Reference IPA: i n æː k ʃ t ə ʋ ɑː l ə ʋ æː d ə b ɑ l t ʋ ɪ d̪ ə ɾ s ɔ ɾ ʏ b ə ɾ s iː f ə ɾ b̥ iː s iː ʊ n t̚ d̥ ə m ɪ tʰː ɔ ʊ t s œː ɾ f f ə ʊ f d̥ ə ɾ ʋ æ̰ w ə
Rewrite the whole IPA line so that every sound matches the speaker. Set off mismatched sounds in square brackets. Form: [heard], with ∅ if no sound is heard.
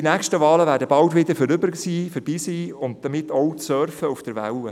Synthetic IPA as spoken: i n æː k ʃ t ə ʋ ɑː l ə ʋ æː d ə b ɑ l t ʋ ɪ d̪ ə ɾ [f] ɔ ɾ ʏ b ə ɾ s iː f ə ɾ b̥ iː s iː ʊ n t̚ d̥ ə m ɪ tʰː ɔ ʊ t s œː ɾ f f ə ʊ f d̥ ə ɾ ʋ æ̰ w ə